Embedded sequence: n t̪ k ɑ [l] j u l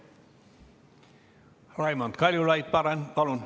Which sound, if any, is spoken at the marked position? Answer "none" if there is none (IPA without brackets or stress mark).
l